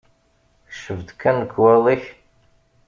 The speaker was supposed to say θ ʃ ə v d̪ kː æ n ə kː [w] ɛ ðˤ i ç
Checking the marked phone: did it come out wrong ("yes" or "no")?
no